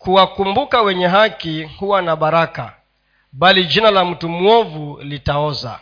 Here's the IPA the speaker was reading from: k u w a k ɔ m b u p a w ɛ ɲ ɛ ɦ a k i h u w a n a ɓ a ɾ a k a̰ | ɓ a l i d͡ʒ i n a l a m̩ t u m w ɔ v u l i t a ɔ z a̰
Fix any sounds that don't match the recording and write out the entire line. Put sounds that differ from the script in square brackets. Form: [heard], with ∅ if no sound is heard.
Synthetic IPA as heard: k u w a k [u] m b u [k] a w ɛ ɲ ɛ ɦ a k i h u w a n a ɓ a ɾ a k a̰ | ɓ a l i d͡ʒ i n a l a m̩ t u m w ɔ v u l i t a ɔ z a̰